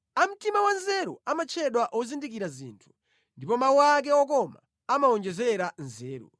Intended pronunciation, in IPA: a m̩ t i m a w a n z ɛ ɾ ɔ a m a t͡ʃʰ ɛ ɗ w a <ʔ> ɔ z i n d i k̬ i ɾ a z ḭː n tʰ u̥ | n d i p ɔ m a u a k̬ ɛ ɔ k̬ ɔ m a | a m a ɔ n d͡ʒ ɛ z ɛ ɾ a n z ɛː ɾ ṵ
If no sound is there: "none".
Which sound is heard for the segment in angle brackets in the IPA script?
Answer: ʔ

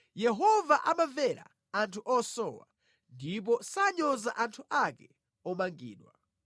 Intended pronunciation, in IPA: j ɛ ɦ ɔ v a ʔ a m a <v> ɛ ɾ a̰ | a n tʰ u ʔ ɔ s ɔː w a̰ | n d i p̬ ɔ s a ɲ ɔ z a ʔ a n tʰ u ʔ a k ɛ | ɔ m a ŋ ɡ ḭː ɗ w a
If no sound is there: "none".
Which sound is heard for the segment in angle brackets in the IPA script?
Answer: v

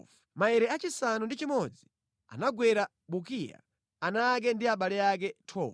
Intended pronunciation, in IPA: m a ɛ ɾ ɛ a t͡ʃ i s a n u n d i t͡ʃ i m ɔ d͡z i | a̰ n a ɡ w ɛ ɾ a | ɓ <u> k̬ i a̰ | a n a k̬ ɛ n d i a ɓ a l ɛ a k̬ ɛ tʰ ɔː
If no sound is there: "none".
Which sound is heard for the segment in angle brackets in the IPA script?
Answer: u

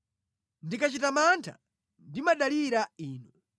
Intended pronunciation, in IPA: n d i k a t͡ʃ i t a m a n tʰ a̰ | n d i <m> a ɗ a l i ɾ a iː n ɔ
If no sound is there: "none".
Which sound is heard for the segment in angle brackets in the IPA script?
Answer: m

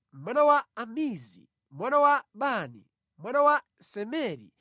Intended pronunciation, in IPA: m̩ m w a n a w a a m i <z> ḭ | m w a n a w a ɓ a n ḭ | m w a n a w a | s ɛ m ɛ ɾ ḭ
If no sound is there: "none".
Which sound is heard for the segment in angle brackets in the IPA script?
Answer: z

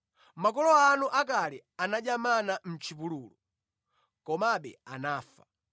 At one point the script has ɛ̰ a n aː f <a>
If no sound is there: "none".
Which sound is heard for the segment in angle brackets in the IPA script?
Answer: a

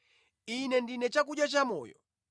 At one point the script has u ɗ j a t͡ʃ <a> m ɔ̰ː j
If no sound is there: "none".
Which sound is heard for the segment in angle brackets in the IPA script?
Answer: a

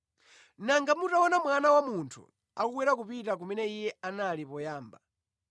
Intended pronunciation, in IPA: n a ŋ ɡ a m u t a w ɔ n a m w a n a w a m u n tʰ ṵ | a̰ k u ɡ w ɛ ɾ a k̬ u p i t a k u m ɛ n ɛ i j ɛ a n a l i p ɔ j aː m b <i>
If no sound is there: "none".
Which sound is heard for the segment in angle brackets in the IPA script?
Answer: a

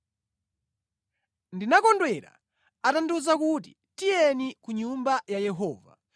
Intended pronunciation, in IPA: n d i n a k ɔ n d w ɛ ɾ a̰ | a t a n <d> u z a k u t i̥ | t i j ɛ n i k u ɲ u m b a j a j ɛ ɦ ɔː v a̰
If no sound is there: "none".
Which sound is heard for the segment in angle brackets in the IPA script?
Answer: d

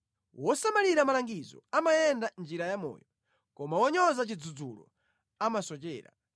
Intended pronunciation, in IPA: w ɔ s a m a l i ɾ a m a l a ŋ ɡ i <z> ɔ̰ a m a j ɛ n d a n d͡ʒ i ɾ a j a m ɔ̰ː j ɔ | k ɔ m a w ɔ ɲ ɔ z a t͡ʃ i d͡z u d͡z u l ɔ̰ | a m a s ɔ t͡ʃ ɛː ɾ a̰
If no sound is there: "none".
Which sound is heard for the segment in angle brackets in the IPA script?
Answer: z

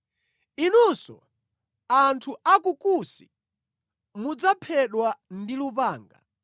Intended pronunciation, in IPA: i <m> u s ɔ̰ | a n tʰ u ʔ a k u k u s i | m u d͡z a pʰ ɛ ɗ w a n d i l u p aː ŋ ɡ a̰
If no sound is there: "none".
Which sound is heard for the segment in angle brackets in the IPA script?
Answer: n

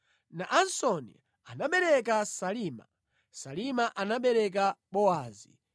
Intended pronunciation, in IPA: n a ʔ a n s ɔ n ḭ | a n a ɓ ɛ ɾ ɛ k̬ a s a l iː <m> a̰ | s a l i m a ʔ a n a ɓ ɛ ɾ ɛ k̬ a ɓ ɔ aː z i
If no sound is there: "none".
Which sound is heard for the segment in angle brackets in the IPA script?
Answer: m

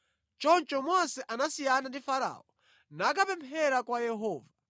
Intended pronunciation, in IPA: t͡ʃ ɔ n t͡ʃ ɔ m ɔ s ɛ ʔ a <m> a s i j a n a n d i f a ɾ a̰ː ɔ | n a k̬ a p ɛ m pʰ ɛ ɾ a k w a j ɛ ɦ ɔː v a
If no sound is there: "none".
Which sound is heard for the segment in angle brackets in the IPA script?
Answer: n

